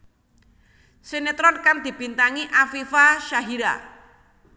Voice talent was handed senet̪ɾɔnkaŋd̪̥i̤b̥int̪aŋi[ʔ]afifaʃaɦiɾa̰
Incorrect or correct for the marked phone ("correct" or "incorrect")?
correct